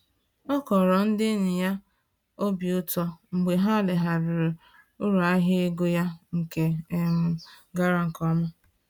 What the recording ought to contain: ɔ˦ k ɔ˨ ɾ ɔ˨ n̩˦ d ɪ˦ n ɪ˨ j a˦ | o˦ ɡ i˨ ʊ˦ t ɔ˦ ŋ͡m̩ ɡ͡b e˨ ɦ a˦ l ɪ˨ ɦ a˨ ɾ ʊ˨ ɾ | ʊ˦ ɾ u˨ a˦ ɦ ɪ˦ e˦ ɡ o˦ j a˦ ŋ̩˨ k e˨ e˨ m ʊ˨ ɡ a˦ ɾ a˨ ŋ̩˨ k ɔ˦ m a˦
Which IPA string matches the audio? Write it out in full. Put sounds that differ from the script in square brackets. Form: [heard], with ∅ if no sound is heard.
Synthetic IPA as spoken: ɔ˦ k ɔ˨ ɾ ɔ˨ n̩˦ d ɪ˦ n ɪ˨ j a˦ | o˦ [b] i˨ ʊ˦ t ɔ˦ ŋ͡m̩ ɡ͡b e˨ ɦ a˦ l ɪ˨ ɦ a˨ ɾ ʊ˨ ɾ | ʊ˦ ɾ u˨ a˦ ɦ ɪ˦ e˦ ɡ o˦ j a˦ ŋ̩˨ k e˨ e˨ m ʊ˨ ɡ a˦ ɾ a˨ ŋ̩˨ k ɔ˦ m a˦